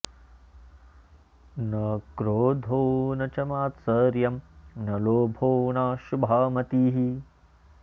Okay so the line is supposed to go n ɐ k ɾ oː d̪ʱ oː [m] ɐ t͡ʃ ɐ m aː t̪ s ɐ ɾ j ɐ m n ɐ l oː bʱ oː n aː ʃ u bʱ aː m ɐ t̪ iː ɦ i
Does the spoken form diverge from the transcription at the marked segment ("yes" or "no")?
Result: yes